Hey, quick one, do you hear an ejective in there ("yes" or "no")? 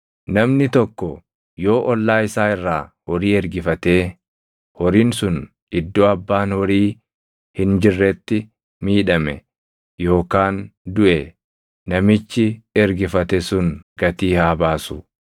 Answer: no